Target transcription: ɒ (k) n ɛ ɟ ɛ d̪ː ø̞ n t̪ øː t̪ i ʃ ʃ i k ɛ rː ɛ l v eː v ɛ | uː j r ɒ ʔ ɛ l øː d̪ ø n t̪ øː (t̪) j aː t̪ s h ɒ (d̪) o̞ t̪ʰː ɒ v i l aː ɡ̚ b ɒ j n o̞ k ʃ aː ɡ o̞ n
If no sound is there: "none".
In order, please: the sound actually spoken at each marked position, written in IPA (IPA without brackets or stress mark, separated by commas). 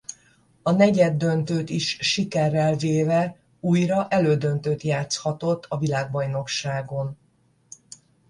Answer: none, t̪, t̪